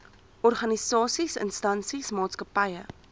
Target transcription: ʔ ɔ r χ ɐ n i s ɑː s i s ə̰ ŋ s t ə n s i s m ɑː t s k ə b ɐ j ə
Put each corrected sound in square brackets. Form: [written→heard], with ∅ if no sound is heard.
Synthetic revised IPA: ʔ ɔ r χ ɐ n i s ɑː s i s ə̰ [ŋ→n] s t [ə→ɐ] n s i s m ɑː t s k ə [b→p] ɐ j ə